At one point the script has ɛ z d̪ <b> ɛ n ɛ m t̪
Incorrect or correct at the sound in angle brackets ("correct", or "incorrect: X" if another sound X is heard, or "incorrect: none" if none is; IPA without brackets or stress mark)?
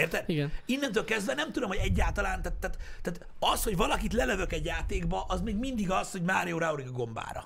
incorrect: v